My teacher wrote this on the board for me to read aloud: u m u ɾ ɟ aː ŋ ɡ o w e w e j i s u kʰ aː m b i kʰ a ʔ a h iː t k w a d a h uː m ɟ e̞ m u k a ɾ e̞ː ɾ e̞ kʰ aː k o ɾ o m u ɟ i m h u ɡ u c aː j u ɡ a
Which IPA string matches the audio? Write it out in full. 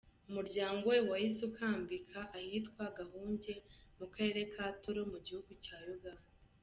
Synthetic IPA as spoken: u m u ɾ ɟ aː ŋ ɡ o w e w a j i s u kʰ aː m b i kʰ a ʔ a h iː t k w a ɡ a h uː ɲ ɟ e̞ m u k a ɾ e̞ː ɾ e̞ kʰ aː t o ɾ o m u ɟ i h u ɡ u c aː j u ɡ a